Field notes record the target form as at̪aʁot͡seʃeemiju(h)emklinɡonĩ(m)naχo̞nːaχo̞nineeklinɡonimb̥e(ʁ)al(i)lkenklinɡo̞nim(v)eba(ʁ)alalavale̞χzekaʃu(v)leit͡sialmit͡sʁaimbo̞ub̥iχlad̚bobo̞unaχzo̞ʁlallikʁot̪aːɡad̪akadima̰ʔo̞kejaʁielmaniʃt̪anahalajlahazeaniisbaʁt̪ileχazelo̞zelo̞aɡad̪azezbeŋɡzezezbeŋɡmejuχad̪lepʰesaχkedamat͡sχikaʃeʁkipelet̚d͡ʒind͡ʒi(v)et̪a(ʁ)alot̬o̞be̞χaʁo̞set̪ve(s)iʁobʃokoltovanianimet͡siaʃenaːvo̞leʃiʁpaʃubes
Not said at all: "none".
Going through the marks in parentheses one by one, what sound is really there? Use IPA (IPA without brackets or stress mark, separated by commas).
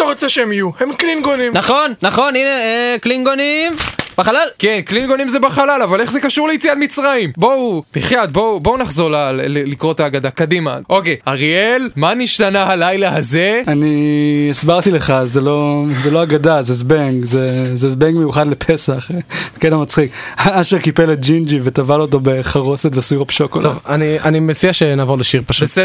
h, m, χ, a, z, χ, ʁ, v, v, s